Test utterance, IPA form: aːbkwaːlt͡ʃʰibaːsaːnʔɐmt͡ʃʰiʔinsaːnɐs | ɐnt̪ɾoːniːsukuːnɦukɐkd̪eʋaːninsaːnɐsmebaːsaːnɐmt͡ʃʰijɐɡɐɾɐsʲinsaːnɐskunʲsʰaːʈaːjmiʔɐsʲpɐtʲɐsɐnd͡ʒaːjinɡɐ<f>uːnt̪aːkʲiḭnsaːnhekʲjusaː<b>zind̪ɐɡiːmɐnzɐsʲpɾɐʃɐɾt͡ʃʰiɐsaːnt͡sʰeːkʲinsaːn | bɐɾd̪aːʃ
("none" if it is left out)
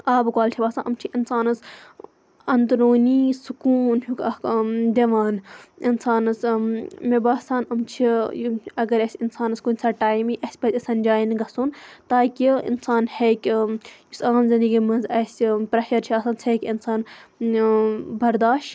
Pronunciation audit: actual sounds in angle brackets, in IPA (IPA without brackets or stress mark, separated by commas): s, m